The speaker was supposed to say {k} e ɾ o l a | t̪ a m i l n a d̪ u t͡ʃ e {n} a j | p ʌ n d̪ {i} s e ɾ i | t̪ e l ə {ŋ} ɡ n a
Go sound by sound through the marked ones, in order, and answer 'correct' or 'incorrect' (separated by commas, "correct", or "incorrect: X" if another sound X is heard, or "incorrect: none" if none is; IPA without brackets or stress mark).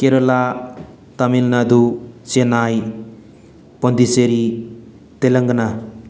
correct, correct, correct, correct